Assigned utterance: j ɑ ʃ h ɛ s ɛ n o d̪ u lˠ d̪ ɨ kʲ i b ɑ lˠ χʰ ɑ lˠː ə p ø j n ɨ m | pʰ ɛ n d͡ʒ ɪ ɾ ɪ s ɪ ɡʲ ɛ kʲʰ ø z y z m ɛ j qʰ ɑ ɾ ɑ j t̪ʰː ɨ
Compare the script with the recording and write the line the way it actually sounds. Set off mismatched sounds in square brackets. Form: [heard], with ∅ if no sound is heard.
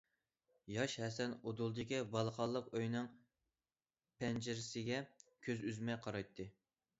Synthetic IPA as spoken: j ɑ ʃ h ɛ s ɛ n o d̪ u lˠ d̪ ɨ kʲ i b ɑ lˠ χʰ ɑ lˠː ə [q] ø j n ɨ [ŋ] | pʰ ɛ n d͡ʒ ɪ ɾ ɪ s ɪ ɡʲ ɛ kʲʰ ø z y z m ɛ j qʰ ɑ ɾ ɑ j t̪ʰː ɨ